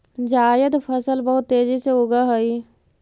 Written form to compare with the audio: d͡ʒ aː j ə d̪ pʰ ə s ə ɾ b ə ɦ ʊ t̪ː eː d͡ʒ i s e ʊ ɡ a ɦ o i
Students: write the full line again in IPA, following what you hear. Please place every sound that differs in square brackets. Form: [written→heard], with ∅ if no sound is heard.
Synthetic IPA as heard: d͡ʒ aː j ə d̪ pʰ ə s ə [ɾ→l] b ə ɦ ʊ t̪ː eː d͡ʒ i s e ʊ ɡ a ɦ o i